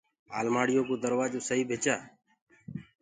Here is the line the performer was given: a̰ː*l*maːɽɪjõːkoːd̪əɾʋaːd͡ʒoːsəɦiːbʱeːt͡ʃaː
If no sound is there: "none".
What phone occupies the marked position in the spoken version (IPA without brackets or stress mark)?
l